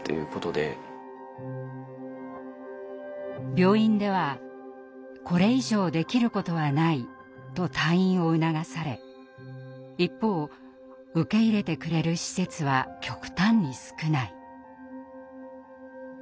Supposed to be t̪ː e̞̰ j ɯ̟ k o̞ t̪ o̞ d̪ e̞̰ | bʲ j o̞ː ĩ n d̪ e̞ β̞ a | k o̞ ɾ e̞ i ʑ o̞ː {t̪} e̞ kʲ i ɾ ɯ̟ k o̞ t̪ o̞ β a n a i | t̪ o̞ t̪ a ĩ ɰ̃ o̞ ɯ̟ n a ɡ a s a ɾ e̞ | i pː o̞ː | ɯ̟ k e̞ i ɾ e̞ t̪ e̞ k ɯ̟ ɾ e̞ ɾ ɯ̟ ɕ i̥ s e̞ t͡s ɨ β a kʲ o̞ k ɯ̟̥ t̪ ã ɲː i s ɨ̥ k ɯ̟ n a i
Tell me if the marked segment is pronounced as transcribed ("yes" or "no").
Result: no